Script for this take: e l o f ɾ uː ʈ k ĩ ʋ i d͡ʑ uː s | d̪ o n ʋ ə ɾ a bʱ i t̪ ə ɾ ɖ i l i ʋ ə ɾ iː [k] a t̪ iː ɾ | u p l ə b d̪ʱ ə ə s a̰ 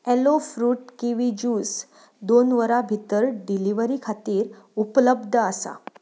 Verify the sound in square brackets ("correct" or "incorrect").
incorrect